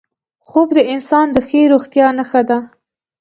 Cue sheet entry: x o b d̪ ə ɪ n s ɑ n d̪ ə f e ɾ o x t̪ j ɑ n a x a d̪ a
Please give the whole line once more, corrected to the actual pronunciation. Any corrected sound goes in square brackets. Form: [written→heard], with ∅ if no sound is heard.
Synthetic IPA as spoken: x o b d̪ ə ɪ n s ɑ n d̪ ə [f→x] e ɾ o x t̪ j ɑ n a x a d̪ a